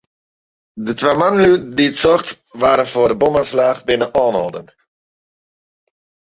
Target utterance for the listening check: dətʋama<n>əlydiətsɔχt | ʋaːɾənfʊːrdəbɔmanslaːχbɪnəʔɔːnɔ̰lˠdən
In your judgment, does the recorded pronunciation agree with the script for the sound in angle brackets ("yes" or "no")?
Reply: yes